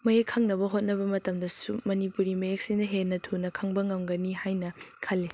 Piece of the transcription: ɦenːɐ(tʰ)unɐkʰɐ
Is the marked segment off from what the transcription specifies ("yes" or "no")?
no